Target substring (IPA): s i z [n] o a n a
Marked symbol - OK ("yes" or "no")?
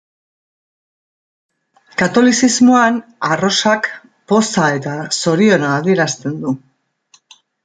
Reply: no